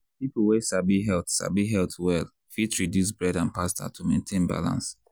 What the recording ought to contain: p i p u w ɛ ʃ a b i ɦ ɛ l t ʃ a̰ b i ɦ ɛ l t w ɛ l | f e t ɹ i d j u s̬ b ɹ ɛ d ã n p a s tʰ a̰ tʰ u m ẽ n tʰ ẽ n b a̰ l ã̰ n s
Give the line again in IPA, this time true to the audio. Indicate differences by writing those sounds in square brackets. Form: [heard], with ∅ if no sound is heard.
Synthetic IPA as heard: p i p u w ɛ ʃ a b i ɦ ɛ l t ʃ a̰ b i ɦ ɛ l t w ɛ l | f [i] t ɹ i d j u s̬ b ɹ ɛ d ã n p a s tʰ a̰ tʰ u m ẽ n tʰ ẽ n b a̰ l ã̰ n s